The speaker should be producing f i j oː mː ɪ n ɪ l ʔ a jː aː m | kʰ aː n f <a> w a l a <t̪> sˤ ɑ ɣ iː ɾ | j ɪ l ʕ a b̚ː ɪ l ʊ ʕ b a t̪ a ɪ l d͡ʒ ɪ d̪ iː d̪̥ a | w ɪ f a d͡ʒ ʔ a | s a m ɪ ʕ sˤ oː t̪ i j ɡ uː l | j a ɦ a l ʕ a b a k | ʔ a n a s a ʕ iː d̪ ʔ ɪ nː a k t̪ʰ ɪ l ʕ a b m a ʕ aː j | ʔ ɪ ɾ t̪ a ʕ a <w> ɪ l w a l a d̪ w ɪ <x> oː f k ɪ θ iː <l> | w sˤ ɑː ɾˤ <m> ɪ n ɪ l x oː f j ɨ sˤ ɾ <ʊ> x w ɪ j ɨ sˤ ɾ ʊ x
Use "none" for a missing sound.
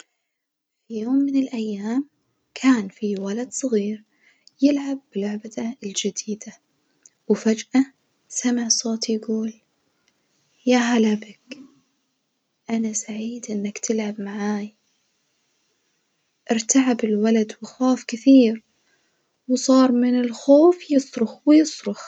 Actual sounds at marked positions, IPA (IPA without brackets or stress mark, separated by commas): i, d̪, b, x, ɾ, m, ʊ